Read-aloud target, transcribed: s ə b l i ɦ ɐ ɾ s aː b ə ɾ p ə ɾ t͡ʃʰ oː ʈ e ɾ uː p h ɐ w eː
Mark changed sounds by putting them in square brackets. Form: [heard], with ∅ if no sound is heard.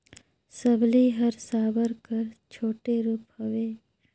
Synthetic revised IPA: s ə b l i ɦ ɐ ɾ s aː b ə ɾ [k] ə ɾ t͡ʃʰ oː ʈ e ɾ uː p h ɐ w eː